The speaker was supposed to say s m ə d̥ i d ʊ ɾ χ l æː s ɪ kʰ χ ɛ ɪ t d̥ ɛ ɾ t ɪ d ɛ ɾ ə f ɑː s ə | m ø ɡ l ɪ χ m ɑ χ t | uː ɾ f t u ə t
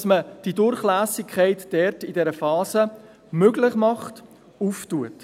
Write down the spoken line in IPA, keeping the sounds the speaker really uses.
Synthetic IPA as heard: s m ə d̥ i d ʊ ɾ χ l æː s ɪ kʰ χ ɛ ɪ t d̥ ɛ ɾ t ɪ d ɛ ɾ ə f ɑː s ə | m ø ɡ l ɪ χ m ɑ χ t | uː f t u ə t